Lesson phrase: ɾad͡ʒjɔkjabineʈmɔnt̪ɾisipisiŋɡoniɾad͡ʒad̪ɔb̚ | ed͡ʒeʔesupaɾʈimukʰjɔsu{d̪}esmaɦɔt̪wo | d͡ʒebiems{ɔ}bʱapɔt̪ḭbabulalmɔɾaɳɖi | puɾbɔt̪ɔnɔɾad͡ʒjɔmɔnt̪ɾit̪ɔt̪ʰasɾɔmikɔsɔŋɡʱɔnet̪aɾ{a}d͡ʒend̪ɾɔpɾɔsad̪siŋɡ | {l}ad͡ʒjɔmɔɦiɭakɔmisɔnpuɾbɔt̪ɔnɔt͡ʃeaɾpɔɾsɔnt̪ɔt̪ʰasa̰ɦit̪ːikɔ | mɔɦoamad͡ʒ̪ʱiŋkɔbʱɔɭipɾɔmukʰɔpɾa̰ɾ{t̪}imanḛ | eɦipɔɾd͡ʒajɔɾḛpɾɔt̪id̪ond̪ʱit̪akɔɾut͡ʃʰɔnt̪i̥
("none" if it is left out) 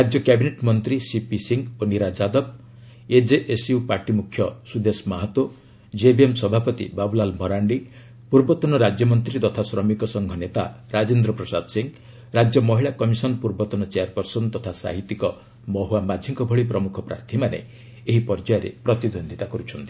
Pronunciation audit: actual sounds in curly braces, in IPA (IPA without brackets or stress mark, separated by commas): d̪, ɔ, a, ɾ, t̪ʰ